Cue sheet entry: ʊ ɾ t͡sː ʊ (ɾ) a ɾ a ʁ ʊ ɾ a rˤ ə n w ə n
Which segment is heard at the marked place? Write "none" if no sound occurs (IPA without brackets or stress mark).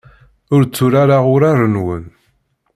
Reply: ɾ